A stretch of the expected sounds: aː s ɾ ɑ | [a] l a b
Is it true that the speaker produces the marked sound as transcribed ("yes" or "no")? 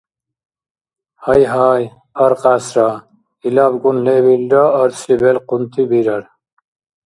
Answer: no